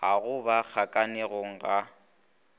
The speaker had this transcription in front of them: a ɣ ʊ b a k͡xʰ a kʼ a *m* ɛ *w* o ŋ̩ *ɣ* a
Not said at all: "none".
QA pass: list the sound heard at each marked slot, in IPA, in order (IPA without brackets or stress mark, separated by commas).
n, ɣ, ɣ